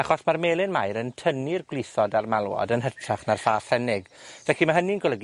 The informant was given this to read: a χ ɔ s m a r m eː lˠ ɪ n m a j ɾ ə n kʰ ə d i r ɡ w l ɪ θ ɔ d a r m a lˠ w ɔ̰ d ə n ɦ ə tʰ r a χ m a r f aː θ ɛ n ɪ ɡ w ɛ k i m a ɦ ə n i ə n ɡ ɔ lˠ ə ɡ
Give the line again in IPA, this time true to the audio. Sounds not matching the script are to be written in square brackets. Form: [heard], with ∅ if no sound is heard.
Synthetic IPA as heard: a χ ɔ s m a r m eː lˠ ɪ n m a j ɾ ə n [tʰ] ə [n] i r ɡ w l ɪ θ ɔ d a r m a lˠ w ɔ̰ d ə n ɦ ə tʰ r a χ [n] a r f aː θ ɛ n ɪ ɡ [v] ɛ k i m a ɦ ə n i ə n ɡ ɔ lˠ ə ɡ